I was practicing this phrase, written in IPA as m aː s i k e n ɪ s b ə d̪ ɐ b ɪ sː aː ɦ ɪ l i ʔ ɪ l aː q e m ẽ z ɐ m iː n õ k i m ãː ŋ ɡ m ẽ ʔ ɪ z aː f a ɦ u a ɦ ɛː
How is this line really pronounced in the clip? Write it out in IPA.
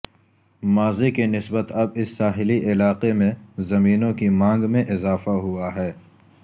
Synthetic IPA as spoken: m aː z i k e n ɪ s b ə t̪ ɐ b ɪ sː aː ɦ ɪ l i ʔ ɪ l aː q e m ẽ z ɐ m iː n õ k i m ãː ŋ ɡ m ẽ ʔ ɪ z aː f a ɦ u a ɦ ɛː